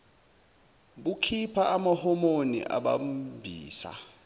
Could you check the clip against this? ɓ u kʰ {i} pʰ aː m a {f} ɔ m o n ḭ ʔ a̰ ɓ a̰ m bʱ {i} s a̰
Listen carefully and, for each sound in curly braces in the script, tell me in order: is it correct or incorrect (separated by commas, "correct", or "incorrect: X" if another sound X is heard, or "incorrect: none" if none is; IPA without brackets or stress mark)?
correct, incorrect: h, incorrect: iː